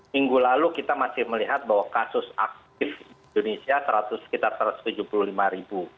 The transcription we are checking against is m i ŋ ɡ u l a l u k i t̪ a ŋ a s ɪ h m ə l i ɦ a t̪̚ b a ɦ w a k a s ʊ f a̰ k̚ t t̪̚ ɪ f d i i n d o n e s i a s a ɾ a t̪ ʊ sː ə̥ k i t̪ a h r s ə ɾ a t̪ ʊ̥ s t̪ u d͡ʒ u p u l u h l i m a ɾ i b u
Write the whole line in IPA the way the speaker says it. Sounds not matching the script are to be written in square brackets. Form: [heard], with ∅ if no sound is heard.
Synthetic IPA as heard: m i ŋ ɡ u l a l u k i t̪ a [m] a s ɪ h m ə l i ɦ a t̪̚ b a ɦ w a k a s ʊ [s] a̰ k̚ t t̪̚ ɪ f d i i n d o n e s i a s [ə] ɾ a t̪ ʊ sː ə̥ k i t̪ a [∅] r s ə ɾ a t̪ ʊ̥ s t̪ u d͡ʒ u p u l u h l i m a ɾ i b u

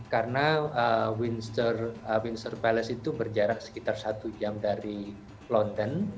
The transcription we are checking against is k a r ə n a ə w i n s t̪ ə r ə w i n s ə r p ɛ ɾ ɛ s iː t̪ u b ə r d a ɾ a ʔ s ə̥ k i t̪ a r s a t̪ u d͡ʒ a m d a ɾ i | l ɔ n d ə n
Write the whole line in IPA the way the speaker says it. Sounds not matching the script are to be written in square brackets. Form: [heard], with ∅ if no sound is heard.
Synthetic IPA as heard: k a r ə n a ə w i n s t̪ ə r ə w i n s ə r p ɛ [l] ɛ s [i] t̪ u b ə r [d͡ʒ] a ɾ a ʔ s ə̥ k i t̪ a r s a t̪ u d͡ʒ a m d a ɾ i | l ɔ n d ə n

